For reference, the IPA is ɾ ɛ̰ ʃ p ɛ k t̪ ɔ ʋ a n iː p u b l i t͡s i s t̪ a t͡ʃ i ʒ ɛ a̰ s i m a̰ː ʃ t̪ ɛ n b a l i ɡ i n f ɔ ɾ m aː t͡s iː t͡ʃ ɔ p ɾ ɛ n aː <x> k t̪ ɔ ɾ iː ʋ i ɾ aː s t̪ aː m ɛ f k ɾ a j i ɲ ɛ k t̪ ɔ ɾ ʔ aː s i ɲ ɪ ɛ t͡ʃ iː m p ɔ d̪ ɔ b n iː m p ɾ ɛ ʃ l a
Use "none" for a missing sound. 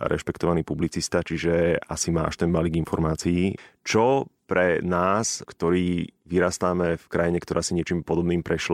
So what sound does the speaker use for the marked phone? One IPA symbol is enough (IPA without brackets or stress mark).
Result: s